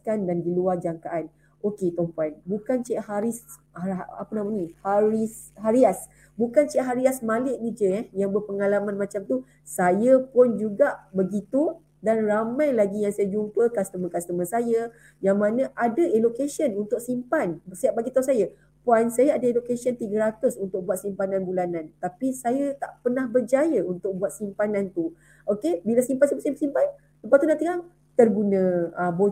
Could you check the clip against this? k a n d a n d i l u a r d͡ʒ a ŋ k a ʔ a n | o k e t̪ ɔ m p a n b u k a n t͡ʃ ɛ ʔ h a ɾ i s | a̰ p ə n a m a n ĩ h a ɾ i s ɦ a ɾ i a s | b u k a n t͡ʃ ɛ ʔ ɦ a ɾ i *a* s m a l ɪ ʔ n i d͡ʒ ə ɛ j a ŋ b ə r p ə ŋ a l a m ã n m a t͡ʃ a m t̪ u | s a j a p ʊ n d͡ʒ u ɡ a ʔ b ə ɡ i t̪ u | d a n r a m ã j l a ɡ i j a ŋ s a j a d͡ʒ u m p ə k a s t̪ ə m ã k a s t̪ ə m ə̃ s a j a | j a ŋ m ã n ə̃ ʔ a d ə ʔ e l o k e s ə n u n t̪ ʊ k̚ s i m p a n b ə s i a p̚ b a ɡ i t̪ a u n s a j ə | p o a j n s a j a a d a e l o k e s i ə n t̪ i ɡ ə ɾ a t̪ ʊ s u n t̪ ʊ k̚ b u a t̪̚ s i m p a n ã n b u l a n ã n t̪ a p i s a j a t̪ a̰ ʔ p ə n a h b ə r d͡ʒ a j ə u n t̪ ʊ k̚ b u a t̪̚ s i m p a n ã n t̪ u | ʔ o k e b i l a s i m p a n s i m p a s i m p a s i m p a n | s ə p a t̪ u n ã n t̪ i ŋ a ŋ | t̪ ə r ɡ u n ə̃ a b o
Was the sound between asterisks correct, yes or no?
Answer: yes